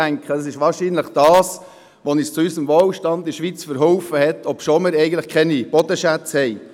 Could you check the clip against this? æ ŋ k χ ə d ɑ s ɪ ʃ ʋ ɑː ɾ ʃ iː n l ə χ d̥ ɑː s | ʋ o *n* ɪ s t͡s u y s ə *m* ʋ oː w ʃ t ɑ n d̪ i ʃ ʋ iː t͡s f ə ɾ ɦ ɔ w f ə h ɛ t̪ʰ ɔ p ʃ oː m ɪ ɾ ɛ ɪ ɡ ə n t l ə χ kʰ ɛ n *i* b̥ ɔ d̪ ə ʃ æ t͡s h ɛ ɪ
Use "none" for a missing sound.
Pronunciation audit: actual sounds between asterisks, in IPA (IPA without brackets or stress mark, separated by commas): n, m, i